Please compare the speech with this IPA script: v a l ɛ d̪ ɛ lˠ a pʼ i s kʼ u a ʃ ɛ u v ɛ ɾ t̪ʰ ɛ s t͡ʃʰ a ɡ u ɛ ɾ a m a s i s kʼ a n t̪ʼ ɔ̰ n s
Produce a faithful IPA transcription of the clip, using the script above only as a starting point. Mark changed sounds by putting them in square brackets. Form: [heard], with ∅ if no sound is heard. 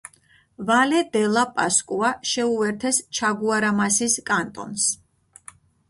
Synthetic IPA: v a l ɛ d̪ ɛ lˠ a pʼ [a] s kʼ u a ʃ ɛ u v ɛ ɾ t̪ʰ ɛ s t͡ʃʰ a ɡ u [a] ɾ a m a s i s kʼ a n t̪ʼ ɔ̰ n s

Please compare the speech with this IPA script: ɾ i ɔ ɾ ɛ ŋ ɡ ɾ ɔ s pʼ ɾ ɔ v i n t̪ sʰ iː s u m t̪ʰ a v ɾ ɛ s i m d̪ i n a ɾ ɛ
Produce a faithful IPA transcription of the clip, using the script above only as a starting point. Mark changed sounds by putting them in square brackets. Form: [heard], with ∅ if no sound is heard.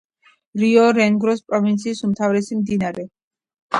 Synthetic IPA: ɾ i ɔ ɾ ɛ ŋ ɡ ɾ ɔ s pʼ ɾ ɔ v i n t̪ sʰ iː s u m t̪ʰ a v ɾ ɛ s i m d̪ i n a ɾ ɛ

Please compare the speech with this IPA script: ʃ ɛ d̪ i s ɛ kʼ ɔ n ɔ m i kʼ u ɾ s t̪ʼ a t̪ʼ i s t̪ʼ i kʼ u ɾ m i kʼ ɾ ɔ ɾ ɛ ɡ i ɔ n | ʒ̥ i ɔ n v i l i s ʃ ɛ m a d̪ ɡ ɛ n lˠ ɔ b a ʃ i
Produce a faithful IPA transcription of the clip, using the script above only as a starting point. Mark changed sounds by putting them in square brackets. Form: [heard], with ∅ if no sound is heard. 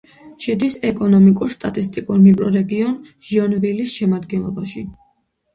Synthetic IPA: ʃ ɛ d̪ i s ɛ kʼ ɔ n ɔ m i kʼ u ɾ s t̪ʼ a t̪ʼ i s t̪ʼ i kʼ u ɾ m i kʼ ɾ ɔ ɾ ɛ ɡ i ɔ n | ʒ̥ i ɔ n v i l i s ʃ ɛ m a d̪ ɡ ɛ n lˠ ɔ b a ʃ i

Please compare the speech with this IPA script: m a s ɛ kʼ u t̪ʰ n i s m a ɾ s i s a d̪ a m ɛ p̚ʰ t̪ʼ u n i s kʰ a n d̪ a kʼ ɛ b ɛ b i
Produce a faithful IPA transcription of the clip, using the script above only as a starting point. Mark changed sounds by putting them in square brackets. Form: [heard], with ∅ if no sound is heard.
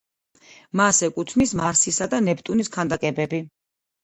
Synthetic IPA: m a s ɛ kʼ u t̪ʰ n i s m a ɾ s i s a d̪ a [n] ɛ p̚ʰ t̪ʼ u n i s kʰ a n d̪ a kʼ ɛ b ɛ b i

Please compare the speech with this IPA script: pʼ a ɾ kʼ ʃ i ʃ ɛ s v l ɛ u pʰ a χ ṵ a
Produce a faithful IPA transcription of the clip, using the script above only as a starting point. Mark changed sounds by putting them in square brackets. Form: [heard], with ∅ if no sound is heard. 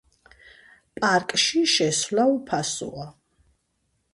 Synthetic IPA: pʼ a ɾ kʼ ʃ i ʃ ɛ s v l [a] u pʰ a [s] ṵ a

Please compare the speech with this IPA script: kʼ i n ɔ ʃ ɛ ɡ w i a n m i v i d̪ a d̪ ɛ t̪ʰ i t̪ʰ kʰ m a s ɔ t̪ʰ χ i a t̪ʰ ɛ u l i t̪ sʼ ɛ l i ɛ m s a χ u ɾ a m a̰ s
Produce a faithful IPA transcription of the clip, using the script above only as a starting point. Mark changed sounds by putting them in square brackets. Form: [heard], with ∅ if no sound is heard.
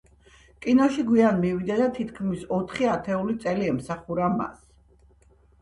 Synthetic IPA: kʼ i n ɔ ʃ [i] ɡ w i a n m i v i d̪ a d̪ [a] t̪ʰ i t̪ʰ kʰ m [i] s ɔ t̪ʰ χ i a t̪ʰ ɛ u l i t̪ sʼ ɛ l i ɛ m s a χ u ɾ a m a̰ s

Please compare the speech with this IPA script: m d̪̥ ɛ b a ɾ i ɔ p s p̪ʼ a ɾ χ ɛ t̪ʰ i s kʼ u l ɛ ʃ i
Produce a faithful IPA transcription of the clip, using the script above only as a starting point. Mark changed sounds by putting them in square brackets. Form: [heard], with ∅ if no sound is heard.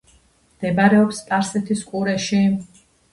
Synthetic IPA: m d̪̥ ɛ b a ɾ [ɛ] ɔ p s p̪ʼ a ɾ [s] ɛ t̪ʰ i s kʼ u [ɾ] ɛ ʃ i

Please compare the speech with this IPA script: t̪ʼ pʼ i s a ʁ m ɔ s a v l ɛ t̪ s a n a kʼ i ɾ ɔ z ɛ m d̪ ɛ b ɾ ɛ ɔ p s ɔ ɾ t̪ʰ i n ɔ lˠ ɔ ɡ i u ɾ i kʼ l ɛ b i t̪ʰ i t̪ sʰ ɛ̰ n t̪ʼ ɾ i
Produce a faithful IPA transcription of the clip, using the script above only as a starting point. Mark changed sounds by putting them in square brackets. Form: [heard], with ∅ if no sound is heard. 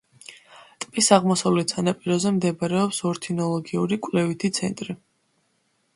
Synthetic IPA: t̪ʼ pʼ i s a ʁ m ɔ s a v l ɛ t̪ s a n a [pʼ] i ɾ ɔ z ɛ m d̪ ɛ b ɾ ɛ ɔ p s ɔ ɾ t̪ʰ i n ɔ lˠ ɔ ɡ i u ɾ i kʼ l ɛ [v] i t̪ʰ i t̪ sʰ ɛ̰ n t̪ʼ ɾ i

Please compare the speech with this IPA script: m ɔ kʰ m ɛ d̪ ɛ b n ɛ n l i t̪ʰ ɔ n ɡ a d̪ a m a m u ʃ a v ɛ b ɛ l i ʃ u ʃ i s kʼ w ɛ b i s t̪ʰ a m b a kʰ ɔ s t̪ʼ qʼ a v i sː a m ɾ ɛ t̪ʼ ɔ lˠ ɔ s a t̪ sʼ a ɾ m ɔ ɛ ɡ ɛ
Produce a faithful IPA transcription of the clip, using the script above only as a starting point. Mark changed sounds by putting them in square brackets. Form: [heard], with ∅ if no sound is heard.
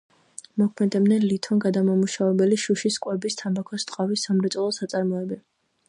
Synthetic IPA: m ɔ kʰ m ɛ d̪ ɛ b n ɛ n l i t̪ʰ ɔ n ɡ a d̪ a m a m u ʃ a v ɛ b ɛ l i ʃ u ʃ i s kʼ w ɛ b i s t̪ʰ a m b a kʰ ɔ s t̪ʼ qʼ a v i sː a m ɾ ɛ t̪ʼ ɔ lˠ ɔ s a t̪ sʼ a ɾ m ɔ ɛ [b] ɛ

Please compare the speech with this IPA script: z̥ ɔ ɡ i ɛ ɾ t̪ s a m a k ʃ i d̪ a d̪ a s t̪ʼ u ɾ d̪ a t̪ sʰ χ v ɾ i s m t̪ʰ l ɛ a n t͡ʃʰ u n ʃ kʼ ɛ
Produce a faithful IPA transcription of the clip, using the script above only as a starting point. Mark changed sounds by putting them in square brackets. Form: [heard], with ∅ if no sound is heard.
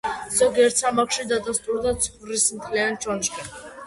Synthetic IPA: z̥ ɔ ɡ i ɛ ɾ t̪ s a m a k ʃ i d̪ a d̪ a s t̪ʼ u ɾ d̪ a t̪ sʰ χ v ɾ i s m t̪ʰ l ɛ a n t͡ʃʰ [ɔ] n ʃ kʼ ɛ

